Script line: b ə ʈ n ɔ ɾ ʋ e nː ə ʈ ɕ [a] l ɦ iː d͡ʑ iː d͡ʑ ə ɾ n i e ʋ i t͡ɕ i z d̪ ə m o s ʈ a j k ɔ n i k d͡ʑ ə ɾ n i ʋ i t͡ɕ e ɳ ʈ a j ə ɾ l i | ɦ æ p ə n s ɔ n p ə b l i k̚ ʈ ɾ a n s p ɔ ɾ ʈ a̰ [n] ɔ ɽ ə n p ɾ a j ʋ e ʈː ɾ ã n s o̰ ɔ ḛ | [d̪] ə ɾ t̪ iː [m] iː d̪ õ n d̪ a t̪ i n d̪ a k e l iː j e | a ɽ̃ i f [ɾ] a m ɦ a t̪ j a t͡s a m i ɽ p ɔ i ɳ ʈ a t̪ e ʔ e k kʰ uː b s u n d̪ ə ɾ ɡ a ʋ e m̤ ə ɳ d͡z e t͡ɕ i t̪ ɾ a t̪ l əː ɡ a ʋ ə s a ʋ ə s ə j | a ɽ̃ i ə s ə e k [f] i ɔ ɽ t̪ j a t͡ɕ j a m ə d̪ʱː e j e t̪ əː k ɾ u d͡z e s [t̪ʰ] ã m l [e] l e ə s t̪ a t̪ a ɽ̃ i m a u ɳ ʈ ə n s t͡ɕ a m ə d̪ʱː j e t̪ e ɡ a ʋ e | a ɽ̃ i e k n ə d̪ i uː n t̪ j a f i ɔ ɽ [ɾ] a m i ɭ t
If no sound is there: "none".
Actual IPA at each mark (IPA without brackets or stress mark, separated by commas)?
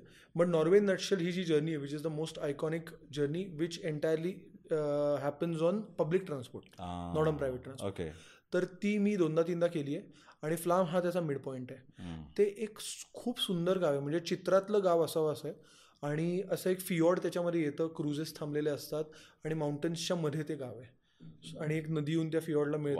ə, n, t̪, m, l, f, t̪ʰ, e, l